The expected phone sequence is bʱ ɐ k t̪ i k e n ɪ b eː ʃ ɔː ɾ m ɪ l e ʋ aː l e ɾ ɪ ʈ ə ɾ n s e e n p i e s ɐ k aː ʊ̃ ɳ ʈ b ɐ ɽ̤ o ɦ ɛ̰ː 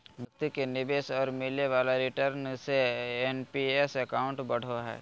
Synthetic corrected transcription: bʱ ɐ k t̪ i k e n ɪ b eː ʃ ɔː ɾ m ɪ l e ʋ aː l a ɾ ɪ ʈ ə ɾ n s e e n p i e s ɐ k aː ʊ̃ ɳ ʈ b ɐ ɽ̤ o ɦ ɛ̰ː